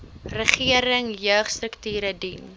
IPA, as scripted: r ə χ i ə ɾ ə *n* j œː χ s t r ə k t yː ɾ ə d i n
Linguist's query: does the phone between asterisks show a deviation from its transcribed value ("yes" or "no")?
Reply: yes